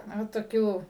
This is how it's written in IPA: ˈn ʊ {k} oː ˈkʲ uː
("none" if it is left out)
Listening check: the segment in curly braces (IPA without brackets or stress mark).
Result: t